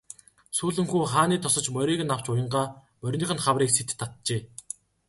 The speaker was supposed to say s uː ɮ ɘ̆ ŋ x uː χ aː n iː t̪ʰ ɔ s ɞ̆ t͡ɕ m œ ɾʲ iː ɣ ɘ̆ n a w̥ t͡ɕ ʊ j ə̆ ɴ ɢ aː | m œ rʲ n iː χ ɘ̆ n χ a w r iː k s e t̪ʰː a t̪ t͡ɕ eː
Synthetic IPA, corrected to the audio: s uː ɮ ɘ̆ ŋ x uː χ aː n iː t̪ʰ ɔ s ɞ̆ t͡ɕ m œ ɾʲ iː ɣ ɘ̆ n a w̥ t͡ɕ ʊ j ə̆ ɴ ɢ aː | m œ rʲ n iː χ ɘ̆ n χ a w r iː k s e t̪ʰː a t̪ t͡ɕ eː